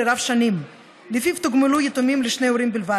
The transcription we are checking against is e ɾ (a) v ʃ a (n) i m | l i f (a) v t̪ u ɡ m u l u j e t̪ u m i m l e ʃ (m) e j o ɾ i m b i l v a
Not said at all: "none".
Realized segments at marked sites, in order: a, n, i, n

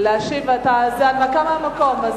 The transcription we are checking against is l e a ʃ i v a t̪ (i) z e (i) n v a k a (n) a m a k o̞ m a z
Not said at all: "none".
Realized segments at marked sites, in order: a, a, m

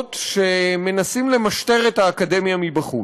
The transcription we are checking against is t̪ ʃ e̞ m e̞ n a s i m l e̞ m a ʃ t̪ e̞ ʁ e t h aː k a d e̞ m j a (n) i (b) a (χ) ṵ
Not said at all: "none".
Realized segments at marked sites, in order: m, b, χ

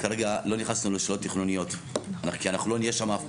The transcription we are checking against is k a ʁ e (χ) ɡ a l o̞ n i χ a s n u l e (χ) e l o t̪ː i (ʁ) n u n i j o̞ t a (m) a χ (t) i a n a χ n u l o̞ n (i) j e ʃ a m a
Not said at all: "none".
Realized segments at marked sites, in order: none, ʃ, χ, n, k, i

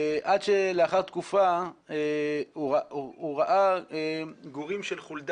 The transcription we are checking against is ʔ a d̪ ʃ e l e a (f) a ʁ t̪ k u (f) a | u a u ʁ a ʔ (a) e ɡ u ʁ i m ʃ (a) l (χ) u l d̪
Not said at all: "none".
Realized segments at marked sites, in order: χ, f, a, e, χ

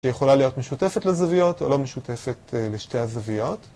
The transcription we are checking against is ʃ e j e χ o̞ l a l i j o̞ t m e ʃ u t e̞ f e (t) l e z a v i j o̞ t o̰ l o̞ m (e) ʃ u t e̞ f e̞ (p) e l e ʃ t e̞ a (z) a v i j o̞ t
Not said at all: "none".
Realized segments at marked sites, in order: t, e, t, z

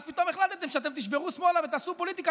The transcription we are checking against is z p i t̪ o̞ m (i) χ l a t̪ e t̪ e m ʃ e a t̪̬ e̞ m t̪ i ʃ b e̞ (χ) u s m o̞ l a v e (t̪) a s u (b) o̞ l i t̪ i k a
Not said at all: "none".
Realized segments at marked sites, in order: e, ʁ, t̪, p

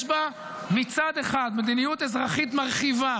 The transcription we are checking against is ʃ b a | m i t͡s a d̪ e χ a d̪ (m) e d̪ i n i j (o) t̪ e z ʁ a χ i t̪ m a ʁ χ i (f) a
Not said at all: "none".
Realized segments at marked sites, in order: m, u, v

